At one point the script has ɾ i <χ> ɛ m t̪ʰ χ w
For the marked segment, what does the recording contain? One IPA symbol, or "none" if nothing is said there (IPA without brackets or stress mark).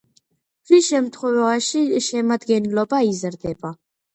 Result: ʃ